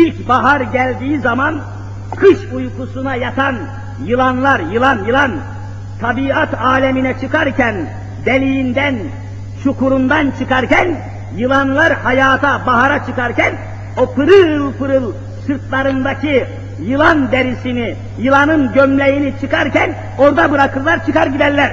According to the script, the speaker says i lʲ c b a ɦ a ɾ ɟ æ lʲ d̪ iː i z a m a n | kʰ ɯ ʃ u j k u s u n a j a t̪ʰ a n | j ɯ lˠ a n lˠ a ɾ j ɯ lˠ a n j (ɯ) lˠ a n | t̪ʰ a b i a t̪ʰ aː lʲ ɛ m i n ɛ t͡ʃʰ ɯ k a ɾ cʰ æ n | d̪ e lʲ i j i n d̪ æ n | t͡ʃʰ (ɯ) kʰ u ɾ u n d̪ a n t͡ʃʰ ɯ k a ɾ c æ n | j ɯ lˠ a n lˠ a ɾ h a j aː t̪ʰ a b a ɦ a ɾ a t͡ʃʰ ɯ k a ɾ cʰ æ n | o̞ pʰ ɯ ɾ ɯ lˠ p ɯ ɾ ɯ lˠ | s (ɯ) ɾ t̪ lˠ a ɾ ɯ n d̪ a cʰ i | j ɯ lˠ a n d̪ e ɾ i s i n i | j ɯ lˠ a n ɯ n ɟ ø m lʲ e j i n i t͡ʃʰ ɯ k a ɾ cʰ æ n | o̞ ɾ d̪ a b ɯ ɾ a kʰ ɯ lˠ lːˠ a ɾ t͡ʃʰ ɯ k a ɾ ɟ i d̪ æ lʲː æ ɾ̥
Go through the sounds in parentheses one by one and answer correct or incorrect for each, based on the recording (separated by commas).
correct, incorrect, correct